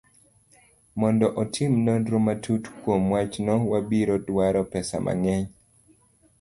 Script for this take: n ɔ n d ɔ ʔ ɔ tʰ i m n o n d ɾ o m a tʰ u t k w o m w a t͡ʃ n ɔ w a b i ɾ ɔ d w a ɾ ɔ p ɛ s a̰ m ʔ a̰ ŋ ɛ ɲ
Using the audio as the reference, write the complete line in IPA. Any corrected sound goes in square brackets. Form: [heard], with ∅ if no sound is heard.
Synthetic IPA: [m] ɔ n d ɔ ʔ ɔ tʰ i m n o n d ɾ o m a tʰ u t k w o m w a t͡ʃ n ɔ w a b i ɾ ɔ d w a ɾ ɔ p ɛ s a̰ m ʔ a̰ ŋ ɛ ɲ